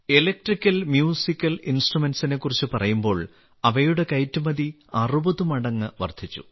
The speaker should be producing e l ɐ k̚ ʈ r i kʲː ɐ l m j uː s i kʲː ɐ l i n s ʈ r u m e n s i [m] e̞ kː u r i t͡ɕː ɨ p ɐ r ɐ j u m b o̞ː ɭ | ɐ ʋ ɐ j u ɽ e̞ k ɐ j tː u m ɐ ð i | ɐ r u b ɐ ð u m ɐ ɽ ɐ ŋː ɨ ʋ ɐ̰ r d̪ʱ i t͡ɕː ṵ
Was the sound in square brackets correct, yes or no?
no